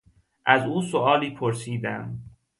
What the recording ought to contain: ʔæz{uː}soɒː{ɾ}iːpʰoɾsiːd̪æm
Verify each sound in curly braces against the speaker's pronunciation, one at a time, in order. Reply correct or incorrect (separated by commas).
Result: correct, incorrect